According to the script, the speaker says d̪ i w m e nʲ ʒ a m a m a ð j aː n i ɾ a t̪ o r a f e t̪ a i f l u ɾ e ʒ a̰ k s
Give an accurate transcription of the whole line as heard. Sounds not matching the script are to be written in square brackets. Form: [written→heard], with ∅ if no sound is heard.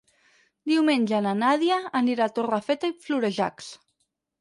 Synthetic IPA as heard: d̪ i w m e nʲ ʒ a [m→n] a [m→n] a ð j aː n i ɾ a t̪ o r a f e t̪ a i f l u ɾ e ʒ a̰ k s